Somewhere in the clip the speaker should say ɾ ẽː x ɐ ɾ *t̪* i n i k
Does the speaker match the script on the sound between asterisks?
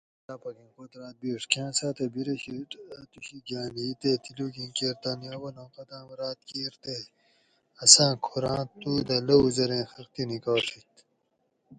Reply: yes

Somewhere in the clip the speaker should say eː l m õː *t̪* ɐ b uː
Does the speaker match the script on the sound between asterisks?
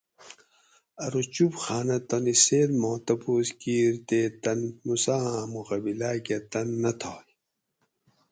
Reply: yes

